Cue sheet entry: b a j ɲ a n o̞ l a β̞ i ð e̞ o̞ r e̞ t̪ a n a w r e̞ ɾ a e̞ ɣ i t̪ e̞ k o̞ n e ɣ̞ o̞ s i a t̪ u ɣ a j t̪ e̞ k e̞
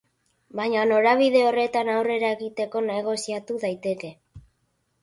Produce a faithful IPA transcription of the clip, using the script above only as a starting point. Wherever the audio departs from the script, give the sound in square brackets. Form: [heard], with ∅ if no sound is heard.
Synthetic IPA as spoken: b a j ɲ a n o̞ [ɾ] a β̞ i ð e̞ o̞ r e̞ t̪ a n a w r e̞ ɾ a e̞ ɣ i t̪ e̞ k o̞ n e ɣ̞ o̞ s i a t̪ u [ð] a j t̪ e̞ k e̞